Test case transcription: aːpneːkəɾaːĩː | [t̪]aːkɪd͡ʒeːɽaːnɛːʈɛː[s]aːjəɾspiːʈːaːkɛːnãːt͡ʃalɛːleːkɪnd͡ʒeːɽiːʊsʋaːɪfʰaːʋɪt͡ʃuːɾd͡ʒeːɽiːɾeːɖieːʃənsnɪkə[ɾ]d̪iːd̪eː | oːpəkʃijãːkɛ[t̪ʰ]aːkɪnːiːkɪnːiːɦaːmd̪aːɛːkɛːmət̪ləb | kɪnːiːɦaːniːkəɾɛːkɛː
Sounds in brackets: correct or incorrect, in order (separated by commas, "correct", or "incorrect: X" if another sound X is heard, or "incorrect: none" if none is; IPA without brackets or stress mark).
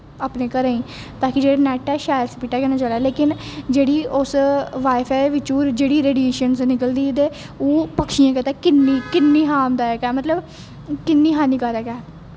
correct, incorrect: ʃ, incorrect: l, incorrect: t̪